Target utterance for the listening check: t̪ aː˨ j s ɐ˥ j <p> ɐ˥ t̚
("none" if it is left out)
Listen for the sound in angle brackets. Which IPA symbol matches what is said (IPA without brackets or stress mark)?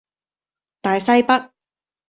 p